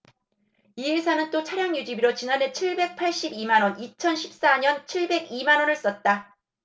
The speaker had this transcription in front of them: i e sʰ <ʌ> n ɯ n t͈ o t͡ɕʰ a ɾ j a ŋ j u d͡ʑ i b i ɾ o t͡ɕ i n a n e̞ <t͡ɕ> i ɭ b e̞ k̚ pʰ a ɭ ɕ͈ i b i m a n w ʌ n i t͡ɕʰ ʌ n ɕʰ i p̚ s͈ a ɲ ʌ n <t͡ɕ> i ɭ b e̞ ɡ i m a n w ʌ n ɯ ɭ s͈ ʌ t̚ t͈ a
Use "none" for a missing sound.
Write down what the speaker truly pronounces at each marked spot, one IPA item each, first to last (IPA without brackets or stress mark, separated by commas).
a, t͡ɕʰ, t͡ɕʰ